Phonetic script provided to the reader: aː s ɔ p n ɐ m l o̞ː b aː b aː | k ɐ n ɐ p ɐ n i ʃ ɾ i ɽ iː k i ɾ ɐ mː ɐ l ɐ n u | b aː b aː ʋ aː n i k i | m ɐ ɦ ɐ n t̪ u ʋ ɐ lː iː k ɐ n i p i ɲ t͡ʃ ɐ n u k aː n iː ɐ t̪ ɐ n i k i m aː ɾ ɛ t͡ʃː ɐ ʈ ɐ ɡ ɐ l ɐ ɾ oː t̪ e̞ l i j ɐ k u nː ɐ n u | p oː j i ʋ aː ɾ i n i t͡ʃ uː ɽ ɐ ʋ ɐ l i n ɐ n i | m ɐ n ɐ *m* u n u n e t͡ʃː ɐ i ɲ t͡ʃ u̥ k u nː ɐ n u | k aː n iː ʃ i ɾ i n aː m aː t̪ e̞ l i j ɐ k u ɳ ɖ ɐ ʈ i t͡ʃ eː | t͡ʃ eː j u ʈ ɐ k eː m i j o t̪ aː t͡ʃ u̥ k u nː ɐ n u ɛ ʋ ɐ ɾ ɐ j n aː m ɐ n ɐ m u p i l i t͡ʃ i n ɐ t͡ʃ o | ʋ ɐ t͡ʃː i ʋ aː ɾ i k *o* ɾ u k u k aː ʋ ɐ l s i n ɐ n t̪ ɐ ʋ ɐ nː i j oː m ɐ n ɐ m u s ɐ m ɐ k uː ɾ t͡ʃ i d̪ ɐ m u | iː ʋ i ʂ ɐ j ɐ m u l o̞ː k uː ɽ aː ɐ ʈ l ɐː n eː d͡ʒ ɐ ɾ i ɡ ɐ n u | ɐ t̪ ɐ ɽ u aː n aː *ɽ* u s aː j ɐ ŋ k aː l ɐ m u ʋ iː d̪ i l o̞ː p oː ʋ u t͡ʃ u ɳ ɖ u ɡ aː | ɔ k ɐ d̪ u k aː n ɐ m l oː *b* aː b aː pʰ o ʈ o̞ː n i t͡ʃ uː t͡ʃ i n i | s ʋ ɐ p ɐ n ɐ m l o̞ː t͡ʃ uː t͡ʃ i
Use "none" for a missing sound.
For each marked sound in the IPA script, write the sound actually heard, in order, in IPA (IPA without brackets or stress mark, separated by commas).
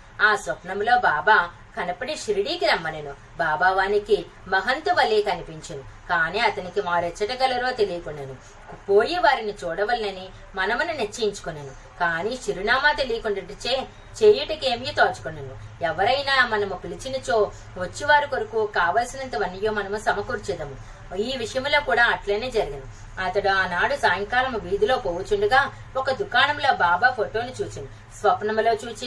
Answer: m, o, ɽ, b